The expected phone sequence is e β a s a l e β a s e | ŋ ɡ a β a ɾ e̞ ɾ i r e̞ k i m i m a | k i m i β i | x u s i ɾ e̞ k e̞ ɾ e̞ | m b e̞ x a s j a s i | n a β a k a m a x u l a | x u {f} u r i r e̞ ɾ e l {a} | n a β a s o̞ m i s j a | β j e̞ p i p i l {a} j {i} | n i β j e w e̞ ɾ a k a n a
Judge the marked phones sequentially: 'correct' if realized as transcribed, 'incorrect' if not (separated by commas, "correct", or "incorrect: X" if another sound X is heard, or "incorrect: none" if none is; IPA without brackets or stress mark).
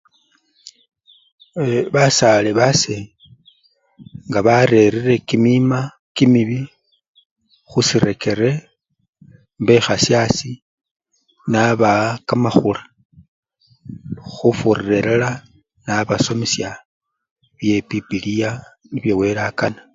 correct, correct, incorrect: i, incorrect: a